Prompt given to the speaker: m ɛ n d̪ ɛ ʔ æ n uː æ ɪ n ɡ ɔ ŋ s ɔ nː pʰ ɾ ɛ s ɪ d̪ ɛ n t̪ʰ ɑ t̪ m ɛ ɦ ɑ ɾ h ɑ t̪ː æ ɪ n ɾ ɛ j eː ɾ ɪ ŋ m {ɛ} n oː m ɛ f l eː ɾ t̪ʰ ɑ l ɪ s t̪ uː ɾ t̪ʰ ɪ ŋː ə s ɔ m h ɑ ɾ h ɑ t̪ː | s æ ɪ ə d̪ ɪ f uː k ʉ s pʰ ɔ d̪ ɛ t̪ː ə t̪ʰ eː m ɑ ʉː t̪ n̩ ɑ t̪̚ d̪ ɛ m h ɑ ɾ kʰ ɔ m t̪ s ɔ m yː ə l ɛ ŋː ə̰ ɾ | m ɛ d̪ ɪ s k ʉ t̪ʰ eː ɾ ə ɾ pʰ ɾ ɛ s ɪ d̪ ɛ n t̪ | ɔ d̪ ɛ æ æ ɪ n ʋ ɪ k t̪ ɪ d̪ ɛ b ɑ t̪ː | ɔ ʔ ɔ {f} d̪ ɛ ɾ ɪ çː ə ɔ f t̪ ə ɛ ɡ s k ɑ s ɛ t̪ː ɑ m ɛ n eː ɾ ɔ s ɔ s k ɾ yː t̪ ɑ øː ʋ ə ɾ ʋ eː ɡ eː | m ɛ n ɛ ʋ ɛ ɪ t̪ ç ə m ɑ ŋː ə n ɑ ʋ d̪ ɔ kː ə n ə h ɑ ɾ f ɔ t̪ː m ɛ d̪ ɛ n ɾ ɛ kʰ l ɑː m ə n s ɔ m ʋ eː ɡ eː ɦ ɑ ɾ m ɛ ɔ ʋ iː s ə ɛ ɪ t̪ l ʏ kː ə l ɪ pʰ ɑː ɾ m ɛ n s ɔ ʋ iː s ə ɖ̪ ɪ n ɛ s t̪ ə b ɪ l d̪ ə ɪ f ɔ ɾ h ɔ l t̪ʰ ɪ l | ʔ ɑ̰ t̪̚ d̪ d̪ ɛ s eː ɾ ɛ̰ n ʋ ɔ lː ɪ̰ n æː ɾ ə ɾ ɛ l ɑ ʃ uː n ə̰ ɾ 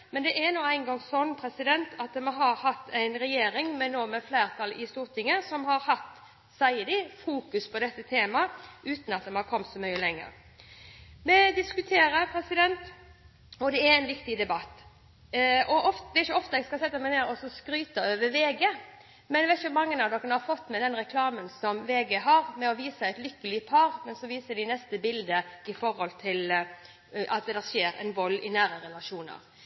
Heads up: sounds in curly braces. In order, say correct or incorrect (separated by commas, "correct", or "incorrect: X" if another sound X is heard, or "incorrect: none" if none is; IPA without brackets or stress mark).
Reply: correct, correct